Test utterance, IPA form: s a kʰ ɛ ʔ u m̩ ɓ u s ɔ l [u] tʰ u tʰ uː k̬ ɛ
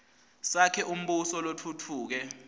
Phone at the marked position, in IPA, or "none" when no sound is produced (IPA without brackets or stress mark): o